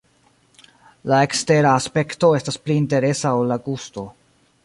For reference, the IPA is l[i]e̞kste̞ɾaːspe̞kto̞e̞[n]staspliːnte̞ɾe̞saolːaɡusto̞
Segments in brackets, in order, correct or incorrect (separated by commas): incorrect, incorrect